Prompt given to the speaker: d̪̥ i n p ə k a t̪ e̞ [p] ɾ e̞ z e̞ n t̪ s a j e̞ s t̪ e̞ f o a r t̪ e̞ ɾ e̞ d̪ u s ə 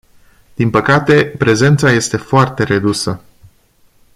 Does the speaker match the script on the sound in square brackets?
yes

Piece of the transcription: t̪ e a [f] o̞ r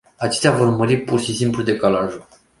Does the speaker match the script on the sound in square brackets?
no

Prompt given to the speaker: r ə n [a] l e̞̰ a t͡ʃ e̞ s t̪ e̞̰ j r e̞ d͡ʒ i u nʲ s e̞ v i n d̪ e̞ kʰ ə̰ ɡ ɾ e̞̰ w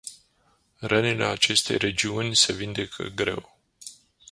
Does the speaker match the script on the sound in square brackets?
no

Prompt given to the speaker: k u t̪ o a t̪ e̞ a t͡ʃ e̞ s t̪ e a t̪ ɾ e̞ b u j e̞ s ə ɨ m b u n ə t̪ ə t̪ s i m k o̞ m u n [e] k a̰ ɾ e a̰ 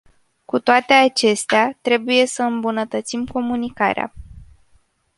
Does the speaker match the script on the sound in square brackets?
no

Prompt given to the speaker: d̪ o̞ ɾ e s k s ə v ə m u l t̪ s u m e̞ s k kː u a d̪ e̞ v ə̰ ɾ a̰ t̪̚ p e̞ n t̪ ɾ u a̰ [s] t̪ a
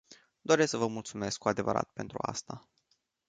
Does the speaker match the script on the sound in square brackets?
yes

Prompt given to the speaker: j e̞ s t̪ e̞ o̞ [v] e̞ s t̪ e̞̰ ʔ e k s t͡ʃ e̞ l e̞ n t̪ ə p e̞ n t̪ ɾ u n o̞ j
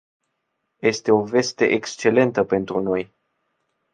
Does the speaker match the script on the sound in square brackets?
yes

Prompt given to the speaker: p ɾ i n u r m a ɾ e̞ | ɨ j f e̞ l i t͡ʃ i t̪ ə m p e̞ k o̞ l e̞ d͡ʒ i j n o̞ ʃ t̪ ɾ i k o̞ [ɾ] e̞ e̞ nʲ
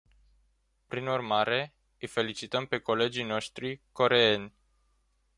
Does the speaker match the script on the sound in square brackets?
yes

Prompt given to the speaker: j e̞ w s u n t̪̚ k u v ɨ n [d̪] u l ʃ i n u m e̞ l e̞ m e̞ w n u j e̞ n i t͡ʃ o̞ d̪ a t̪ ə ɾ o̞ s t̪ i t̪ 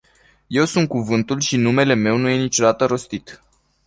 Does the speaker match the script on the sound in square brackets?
no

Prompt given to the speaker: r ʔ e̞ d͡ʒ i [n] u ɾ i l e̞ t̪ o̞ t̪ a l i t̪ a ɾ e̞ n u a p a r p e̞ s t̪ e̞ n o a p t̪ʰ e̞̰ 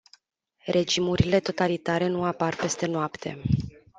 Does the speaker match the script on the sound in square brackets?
no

